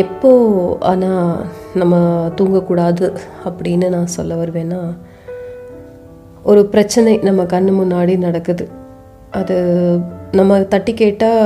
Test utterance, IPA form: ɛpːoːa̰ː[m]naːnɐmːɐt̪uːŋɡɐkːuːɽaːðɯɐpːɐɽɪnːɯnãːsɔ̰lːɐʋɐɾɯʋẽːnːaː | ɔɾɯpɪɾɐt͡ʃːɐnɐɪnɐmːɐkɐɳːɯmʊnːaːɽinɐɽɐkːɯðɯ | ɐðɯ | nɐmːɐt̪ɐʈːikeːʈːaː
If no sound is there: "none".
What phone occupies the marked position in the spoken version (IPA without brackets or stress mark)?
none